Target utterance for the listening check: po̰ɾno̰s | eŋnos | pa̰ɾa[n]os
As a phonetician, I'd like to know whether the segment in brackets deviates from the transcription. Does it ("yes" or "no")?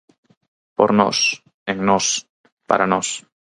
no